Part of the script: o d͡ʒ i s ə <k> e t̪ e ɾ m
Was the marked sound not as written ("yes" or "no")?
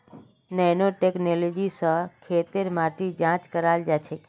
yes